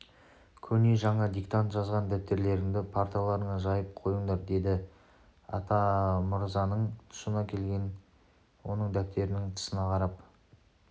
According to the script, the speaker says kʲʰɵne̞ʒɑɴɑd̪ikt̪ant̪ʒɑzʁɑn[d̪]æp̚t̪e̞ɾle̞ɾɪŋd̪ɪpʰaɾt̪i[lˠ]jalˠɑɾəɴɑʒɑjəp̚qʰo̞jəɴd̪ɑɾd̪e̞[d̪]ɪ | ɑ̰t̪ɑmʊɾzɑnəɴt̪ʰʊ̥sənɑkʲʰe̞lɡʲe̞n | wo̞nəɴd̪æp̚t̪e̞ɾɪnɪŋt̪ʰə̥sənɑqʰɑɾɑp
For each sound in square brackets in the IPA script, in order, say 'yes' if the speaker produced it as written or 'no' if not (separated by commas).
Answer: yes, no, yes